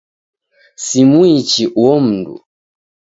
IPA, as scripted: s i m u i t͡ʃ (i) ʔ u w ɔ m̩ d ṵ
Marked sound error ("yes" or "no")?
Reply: no